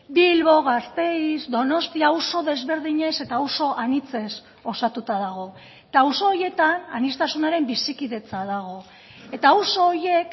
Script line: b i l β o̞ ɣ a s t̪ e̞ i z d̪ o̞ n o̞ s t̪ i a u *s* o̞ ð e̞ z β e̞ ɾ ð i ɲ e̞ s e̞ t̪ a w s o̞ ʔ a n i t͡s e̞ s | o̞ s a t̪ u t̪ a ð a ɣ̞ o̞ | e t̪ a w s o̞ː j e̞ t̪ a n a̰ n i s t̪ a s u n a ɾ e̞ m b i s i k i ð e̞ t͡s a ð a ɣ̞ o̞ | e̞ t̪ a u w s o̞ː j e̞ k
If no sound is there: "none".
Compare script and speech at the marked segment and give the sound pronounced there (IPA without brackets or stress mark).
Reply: s